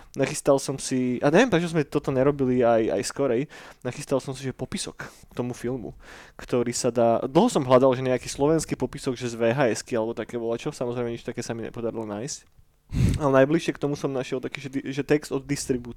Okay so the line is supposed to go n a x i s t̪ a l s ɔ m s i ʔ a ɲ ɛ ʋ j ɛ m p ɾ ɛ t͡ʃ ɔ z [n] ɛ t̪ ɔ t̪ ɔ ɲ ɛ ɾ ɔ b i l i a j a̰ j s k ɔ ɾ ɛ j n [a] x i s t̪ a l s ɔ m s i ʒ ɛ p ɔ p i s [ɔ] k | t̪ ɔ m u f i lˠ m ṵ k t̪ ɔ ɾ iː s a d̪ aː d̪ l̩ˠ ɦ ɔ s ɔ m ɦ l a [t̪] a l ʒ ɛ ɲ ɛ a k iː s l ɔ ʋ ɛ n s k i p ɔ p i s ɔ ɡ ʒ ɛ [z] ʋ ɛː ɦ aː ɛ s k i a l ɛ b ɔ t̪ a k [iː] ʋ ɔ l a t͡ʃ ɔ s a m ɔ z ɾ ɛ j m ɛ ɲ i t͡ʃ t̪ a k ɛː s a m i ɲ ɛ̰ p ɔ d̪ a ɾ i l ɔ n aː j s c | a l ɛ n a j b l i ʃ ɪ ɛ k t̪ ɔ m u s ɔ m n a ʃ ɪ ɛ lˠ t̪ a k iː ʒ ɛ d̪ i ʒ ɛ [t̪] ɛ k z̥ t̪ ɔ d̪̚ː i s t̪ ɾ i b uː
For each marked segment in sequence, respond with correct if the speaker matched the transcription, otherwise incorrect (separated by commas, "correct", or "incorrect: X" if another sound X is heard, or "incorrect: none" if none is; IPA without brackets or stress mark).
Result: incorrect: m, correct, correct, incorrect: d̪, correct, incorrect: ɛː, correct